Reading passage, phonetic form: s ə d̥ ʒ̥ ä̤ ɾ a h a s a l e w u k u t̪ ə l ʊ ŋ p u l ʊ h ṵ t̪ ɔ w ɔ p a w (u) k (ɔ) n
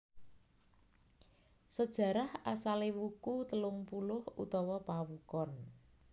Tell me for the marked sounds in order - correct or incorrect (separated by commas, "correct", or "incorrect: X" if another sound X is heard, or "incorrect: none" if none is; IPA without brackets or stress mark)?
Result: correct, correct